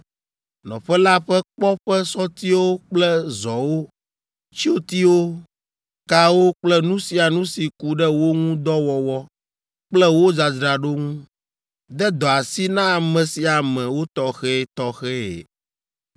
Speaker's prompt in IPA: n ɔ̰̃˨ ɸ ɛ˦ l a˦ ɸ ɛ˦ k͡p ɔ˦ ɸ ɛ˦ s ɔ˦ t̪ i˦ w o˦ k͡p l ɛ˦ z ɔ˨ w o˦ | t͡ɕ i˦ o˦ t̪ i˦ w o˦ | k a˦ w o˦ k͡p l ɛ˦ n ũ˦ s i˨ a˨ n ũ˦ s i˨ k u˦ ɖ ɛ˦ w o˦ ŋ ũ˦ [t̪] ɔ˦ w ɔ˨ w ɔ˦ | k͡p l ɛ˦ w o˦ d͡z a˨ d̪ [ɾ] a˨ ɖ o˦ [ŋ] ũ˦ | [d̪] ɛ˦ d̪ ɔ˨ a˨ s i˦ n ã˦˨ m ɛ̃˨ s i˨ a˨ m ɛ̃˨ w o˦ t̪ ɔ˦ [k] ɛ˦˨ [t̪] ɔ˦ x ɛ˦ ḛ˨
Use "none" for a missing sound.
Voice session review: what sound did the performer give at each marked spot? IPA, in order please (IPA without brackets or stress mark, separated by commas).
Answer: d̪, ɾ, ŋ, d̪, x, t̪